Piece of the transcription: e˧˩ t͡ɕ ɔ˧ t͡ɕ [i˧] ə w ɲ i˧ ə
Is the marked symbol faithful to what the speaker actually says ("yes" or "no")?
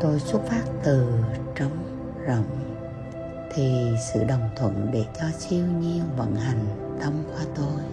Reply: yes